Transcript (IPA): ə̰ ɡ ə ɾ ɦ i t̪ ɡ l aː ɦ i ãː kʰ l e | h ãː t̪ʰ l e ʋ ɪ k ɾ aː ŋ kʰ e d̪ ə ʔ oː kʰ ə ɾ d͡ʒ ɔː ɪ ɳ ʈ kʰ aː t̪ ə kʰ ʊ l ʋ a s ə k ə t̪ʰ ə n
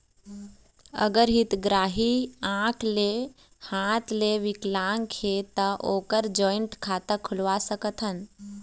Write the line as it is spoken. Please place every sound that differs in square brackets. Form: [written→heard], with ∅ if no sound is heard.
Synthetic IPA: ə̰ ɡ ə ɾ ɦ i t̪ ɡ [l→ɾ] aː ɦ i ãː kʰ l e | h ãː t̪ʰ l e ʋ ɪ k [ɾ→l] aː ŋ kʰ e [d̪→t̪] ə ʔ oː [kʰ→k] ə ɾ d͡ʒ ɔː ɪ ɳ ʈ kʰ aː t̪ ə kʰ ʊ l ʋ a s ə k ə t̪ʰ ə n